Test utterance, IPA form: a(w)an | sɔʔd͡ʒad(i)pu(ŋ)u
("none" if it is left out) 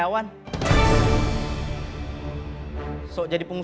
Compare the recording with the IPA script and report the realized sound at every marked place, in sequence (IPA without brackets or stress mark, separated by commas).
w, i, ŋ